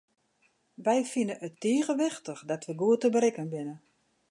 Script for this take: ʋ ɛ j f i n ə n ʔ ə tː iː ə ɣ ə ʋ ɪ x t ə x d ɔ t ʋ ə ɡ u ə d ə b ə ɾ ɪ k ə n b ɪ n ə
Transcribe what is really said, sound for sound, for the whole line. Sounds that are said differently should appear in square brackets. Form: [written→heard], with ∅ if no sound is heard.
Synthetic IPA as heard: ʋ ɛ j f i n ə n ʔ ə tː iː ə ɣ ə ʋ ɪ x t ə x d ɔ t ʋ ə ɡ u ə [d→t] ə b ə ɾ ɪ k ə n b ɪ n ə